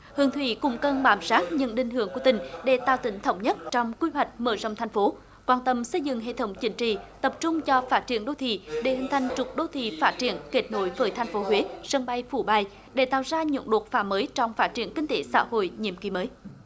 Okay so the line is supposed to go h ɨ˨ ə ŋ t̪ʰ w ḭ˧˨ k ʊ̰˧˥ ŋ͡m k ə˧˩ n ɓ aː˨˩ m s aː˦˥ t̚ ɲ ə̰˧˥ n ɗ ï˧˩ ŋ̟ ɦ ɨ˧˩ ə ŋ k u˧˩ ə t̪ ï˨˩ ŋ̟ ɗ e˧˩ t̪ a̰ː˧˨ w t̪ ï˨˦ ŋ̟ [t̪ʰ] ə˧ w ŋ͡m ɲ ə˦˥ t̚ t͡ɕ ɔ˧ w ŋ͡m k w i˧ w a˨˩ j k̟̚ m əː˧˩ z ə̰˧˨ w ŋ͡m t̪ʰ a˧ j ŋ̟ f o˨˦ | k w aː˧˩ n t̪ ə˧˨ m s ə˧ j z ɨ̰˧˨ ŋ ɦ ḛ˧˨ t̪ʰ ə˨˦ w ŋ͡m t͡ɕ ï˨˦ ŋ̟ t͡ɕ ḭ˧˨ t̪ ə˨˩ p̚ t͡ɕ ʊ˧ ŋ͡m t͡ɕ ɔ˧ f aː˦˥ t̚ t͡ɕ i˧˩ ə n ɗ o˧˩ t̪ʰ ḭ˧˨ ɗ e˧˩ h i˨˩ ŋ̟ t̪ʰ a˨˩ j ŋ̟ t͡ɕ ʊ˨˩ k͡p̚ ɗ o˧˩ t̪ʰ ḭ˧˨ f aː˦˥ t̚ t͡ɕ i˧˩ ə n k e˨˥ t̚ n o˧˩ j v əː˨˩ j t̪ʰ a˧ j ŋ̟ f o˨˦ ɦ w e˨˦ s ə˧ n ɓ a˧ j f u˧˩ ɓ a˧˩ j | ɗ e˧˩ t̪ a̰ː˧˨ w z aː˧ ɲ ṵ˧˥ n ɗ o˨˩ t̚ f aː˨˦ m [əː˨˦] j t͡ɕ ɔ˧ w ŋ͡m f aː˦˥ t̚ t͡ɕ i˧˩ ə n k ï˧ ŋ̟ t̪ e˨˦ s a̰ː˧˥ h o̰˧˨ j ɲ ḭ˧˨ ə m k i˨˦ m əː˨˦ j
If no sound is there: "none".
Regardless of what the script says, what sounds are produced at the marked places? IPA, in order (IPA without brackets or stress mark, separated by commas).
t̪ʰ, əː˨˦